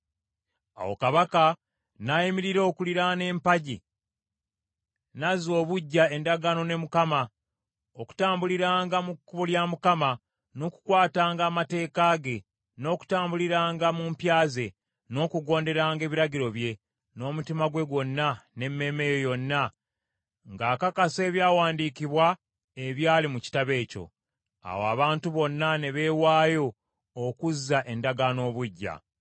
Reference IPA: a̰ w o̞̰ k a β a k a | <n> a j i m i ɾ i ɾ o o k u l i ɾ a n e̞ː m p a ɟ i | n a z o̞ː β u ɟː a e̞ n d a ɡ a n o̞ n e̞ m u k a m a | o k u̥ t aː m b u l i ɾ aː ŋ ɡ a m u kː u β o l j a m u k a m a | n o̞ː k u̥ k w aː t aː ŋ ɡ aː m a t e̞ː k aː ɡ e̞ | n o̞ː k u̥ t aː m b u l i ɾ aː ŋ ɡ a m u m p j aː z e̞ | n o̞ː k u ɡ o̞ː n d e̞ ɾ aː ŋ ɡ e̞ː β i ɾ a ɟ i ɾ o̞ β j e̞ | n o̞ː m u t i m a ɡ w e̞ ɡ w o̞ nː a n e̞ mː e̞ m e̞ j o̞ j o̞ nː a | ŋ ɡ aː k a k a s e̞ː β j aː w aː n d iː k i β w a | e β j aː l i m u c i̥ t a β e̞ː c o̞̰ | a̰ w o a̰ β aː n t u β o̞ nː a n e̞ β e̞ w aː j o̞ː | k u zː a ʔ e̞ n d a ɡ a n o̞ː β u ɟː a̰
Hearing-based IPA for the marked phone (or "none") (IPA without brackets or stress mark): n